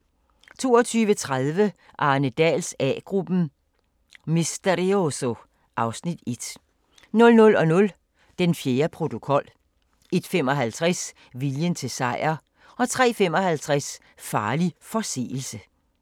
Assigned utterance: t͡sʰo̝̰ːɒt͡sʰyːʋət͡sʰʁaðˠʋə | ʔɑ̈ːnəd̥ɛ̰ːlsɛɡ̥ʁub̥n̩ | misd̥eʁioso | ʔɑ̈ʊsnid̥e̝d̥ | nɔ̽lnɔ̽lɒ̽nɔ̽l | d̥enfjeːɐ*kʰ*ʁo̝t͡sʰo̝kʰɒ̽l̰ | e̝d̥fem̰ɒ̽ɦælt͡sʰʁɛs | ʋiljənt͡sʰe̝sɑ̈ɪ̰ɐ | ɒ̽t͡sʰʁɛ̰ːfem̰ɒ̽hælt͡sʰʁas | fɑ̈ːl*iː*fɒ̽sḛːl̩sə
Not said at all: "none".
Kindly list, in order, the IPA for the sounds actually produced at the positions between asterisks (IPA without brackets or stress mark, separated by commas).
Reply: pʰ, i